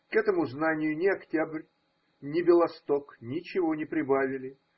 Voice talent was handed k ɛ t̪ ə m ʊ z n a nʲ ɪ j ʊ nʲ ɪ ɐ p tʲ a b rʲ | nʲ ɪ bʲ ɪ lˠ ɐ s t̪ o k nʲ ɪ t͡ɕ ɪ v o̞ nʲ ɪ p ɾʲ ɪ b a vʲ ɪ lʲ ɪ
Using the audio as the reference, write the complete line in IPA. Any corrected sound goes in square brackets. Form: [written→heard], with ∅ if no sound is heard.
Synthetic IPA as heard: k ɛ t̪ ə m ʊ z n a nʲ ɪ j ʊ nʲ ɪ ɐ [p→k] tʲ a b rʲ | nʲ ɪ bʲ ɪ lˠ ɐ s t̪ o k nʲ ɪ t͡ɕ ɪ v o̞ nʲ ɪ p ɾʲ ɪ b a vʲ ɪ lʲ ɪ